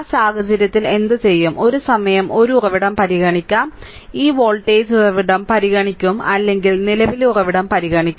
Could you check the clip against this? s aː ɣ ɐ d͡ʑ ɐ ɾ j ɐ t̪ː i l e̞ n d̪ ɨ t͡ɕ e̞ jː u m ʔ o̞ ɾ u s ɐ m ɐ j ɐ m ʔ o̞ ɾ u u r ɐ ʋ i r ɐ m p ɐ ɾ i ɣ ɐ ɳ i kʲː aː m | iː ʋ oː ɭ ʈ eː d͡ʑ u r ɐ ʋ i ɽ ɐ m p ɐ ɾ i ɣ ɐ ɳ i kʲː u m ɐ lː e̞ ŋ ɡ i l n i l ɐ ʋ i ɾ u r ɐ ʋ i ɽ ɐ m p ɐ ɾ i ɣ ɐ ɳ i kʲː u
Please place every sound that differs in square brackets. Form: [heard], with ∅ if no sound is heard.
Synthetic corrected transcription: s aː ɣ ɐ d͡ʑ ɐ ɾ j ɐ t̪ː i l e̞ n d̪ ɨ t͡ɕ e̞ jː u m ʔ o̞ ɾ u s ɐ m ɐ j ɐ m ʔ o̞ ɾ u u r ɐ ʋ i [ɽ] ɐ m p ɐ ɾ i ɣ ɐ ɳ i kʲː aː m | iː ʋ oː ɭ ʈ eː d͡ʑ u r ɐ ʋ i ɽ ɐ m p ɐ ɾ i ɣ ɐ ɳ i kʲː u m ɐ lː e̞ ŋ ɡ i l n i l ɐ ʋ i [l] u r ɐ ʋ i ɽ ɐ m p ɐ ɾ i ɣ ɐ ɳ i kʲː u

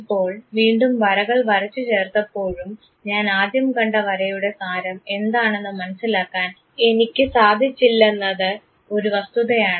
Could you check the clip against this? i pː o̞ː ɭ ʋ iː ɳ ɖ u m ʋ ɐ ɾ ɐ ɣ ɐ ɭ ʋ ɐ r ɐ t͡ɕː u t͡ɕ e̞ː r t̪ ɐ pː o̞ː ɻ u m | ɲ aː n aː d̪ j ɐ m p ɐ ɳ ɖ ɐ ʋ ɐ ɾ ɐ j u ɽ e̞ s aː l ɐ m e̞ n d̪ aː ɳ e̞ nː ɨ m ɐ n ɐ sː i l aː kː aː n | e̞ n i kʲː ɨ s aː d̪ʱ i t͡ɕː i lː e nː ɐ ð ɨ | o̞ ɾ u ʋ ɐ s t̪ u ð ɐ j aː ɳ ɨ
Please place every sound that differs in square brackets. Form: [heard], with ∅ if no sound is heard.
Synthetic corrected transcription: i pː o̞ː ɭ ʋ iː ɳ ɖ u m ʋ ɐ ɾ ɐ ɣ ɐ ɭ ʋ ɐ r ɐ t͡ɕː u t͡ɕ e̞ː r t̪ ɐ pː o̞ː ɻ u m | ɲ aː n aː d̪ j ɐ m [k] ɐ ɳ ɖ ɐ ʋ ɐ ɾ ɐ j u ɽ e̞ s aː [ɾ] ɐ m e̞ n d̪ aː ɳ e̞ nː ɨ m ɐ n ɐ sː i l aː kː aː n | e̞ n i kʲː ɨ s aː d̪ʱ i t͡ɕː i lː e nː ɐ ð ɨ | o̞ ɾ u ʋ ɐ s t̪ u ð ɐ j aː ɳ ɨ

